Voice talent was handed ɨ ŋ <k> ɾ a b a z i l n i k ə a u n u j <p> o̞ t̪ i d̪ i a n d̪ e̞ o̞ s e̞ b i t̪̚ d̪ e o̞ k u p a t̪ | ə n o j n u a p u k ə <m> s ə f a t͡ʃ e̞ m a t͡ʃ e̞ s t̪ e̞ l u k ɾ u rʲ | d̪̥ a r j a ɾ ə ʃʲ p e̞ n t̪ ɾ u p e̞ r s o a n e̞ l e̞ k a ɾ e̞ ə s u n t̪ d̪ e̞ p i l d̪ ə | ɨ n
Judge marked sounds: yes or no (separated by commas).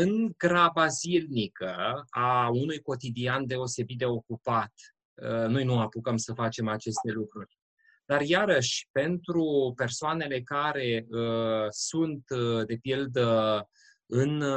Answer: no, no, yes